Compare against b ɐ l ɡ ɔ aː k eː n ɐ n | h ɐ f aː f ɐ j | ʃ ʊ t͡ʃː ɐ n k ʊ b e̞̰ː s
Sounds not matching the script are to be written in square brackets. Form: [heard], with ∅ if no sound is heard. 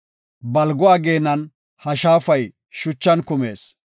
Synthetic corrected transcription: b ɐ l ɡ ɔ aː [ɡ] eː n ɐ n | h ɐ [ʃ] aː f ɐ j | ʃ ʊ t͡ʃː ɐ n k ʊ [m] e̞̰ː s